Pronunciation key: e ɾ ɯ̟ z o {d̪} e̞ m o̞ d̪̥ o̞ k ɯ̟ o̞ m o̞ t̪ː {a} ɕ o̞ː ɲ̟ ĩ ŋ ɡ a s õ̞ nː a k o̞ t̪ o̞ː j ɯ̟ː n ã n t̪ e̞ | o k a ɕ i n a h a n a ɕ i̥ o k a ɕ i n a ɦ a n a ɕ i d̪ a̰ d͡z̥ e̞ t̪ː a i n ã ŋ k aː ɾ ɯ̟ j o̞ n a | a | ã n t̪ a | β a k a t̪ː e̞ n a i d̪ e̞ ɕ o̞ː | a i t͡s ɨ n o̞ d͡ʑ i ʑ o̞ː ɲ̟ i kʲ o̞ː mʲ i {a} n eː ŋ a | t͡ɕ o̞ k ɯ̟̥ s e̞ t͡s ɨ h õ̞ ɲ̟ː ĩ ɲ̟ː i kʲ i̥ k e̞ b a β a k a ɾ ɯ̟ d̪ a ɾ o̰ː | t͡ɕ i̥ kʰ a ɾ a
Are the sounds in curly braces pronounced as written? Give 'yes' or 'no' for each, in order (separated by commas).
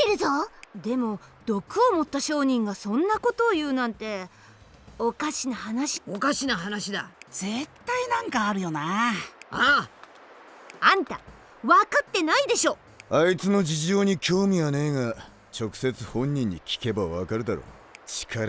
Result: yes, yes, yes